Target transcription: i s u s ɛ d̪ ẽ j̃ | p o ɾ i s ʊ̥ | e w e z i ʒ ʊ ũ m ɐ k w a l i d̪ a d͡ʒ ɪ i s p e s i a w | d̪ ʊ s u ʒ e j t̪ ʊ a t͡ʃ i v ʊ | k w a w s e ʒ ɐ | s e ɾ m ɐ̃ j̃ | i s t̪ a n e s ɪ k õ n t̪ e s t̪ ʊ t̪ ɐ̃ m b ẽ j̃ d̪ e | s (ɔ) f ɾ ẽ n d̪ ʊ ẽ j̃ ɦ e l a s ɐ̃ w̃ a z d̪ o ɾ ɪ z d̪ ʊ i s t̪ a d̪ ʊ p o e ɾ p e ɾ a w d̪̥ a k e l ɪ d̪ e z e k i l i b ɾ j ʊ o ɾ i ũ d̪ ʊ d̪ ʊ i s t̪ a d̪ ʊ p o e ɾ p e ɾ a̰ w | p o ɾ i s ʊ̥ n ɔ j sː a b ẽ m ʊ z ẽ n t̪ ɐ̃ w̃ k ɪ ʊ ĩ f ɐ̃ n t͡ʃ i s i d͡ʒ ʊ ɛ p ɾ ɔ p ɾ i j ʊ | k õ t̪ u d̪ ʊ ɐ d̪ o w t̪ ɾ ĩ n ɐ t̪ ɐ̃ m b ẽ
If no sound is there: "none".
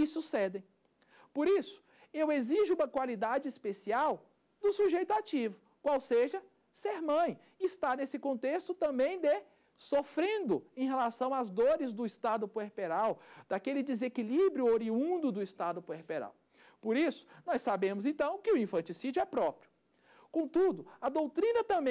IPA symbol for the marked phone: o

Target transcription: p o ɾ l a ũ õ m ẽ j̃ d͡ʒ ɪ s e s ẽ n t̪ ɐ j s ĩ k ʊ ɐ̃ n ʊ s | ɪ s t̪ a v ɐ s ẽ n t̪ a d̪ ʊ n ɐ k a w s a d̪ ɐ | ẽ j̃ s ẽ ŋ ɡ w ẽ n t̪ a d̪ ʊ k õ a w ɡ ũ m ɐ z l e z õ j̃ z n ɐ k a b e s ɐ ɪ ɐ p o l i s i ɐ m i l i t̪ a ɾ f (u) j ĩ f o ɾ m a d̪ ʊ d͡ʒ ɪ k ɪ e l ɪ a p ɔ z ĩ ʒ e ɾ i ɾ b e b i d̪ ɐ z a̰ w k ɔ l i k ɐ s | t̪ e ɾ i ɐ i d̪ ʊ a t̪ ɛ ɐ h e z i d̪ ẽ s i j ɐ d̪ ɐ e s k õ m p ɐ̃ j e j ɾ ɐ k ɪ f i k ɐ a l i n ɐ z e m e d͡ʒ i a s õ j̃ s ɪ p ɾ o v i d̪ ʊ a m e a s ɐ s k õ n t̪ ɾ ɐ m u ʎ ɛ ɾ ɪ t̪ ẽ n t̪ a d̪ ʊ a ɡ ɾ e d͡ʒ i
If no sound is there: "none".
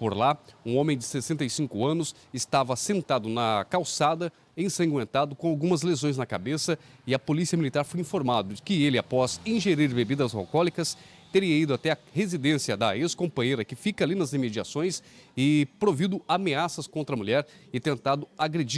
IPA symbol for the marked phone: o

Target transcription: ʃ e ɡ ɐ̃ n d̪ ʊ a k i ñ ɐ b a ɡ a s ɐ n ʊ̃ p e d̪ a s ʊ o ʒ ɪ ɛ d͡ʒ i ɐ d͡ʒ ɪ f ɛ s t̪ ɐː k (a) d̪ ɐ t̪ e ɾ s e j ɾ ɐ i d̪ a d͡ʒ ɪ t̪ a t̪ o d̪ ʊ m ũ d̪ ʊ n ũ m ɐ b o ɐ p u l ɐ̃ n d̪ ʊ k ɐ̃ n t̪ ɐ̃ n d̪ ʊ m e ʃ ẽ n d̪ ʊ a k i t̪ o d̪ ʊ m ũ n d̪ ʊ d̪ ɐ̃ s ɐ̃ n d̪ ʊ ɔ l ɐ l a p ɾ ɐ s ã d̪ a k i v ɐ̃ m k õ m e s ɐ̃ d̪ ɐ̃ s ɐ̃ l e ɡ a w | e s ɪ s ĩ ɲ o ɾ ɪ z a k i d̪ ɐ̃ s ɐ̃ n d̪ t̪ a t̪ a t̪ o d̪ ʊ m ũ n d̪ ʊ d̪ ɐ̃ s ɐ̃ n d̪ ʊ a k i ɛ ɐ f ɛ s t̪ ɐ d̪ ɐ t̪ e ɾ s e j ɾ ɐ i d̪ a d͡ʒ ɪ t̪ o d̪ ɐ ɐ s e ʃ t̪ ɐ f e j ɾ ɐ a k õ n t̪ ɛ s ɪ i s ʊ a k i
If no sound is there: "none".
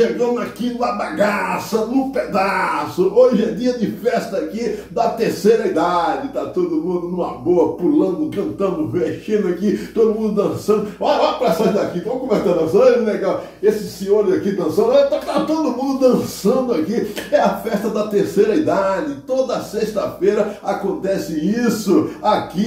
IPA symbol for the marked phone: i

